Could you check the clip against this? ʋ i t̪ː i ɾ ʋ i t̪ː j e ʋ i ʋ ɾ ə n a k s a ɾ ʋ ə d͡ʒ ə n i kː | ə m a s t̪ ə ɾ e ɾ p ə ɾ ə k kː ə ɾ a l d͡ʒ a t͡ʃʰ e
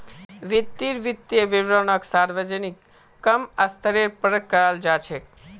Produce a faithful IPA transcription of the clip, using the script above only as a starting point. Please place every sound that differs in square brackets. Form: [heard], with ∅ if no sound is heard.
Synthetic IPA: ʋ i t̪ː i ɾ ʋ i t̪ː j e ʋ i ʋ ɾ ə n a k s a ɾ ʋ ə d͡ʒ ə n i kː | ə m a s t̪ ə ɾ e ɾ p ə ɾ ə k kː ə ɾ a l d͡ʒ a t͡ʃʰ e